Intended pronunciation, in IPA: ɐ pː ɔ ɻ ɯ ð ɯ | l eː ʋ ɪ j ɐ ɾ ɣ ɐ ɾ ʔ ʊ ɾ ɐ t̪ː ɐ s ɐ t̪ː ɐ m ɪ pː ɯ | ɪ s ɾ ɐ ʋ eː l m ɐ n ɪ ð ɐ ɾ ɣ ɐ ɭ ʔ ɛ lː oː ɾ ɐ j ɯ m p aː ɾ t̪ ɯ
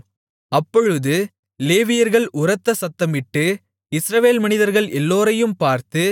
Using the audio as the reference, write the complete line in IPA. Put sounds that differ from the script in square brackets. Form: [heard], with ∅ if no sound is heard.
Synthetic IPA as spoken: ɐ pː ɔ ɻ ɯ ð ɯ | l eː ʋ ɪ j ɐ ɾ ɣ ɐ [ɭ] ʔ ʊ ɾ ɐ t̪ː ɐ s ɐ t̪ː ɐ m ɪ [ʈː] ɯ | ɪ s ɾ ɐ ʋ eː l m ɐ n ɪ ð ɐ ɾ ɣ ɐ ɭ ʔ ɛ lː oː ɾ ɐ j ɯ m p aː ɾ t̪ ɯ

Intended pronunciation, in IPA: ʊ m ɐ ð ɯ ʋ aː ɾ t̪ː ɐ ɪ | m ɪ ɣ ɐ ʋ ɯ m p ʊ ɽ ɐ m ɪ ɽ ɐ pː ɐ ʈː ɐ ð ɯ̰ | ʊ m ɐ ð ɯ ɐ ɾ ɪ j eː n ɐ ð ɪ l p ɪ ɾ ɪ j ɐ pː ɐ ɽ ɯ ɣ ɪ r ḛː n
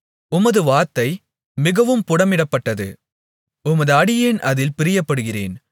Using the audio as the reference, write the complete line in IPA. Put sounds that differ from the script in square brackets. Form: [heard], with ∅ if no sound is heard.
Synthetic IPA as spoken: ʊ m ɐ ð ɯ ʋ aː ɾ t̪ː ɐ ɪ | m ɪ ɣ ɐ ʋ ɯ m p ʊ ɽ ɐ m ɪ ɽ ɐ pː ɐ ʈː ɐ ð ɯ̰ | ʊ m ɐ ð ɯ ɐ [ɽ] ɪ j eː n ɐ ð ɪ l p ɪ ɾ ɪ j ɐ pː ɐ ɽ ɯ ɣ ɪ r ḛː n

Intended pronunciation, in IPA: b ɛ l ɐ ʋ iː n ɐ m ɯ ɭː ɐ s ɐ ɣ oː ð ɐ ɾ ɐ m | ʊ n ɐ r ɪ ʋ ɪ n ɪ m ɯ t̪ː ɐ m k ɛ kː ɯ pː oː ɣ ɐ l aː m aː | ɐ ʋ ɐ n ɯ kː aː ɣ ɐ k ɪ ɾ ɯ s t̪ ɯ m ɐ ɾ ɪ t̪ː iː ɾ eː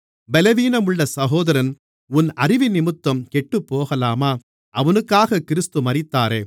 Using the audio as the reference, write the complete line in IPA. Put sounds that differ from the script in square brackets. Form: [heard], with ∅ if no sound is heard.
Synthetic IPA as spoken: b ɛ l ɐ ʋ iː n ɐ m ɯ ɭː ɐ s ɐ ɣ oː ð ɐ ɾ ɐ [n] | ʊ n ɐ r ɪ ʋ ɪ n ɪ m ɯ t̪ː ɐ m k ɛ [ʈː] ɯ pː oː ɣ ɐ l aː m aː | ɐ ʋ ɐ n ɯ kː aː ɣ ɐ k ɪ ɾ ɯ s t̪ ɯ m ɐ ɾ ɪ t̪ː [aː] ɾ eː

